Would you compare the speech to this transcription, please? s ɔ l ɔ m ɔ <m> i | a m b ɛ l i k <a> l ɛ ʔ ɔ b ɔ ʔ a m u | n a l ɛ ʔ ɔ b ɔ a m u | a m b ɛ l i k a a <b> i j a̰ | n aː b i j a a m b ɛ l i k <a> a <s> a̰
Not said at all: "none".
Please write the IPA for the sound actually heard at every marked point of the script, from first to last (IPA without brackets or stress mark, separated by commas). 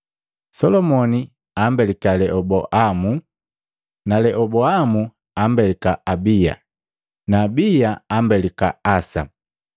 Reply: n, a, b, a, s